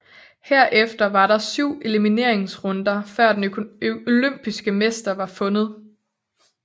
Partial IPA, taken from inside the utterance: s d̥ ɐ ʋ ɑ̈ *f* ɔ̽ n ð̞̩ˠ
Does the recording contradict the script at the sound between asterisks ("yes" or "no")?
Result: no